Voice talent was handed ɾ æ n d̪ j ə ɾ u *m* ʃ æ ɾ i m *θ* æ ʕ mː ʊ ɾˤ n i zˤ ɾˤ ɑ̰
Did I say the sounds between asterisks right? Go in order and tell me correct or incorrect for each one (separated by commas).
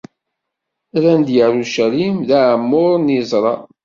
incorrect, incorrect